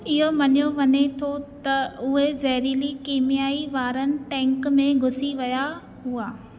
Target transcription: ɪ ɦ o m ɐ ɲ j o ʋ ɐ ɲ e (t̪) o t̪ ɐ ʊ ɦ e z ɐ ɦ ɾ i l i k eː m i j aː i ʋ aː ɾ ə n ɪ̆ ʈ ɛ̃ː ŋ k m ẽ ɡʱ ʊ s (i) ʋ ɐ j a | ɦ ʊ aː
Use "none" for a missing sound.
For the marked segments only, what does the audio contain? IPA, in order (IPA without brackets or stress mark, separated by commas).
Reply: t̪ʰ, i